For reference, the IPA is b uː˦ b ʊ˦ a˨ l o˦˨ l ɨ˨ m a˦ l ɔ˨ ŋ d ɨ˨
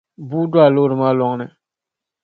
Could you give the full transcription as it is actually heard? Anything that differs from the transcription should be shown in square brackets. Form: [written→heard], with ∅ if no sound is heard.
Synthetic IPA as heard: b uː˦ [b→d] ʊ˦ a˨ l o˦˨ [l→ɾ] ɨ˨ m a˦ l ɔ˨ ŋ [d→n] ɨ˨